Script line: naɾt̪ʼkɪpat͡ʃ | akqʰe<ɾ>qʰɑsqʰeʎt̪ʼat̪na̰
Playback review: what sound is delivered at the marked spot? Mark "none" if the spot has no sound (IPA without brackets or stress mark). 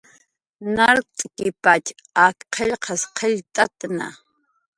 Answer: ʎ